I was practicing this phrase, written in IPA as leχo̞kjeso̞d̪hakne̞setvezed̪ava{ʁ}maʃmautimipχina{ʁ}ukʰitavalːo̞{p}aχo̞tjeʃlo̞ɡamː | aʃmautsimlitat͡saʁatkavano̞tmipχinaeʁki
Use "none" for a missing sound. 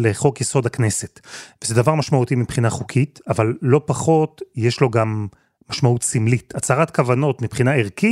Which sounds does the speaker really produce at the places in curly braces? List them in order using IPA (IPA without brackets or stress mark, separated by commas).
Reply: ʁ, χ, p